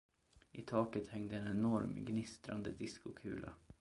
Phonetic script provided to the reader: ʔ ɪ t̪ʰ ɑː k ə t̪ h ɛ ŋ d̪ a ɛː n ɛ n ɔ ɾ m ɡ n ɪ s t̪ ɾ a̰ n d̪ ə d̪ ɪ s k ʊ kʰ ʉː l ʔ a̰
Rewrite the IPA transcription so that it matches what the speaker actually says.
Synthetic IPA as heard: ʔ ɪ t̪ʰ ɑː k ə t̪ h ɛ ŋ d̪ ə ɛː n ɛ n ɔ ɾ m ɡ n ɪ s t̪ ɾ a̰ n d̪ ə d̪ ɪ s k ʊ kʰ ʉː l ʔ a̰